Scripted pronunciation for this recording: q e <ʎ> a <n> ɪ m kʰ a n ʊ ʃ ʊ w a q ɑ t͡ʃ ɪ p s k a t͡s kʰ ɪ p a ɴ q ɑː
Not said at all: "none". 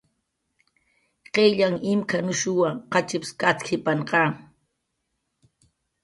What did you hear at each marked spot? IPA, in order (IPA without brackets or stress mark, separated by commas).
ʎ, ŋ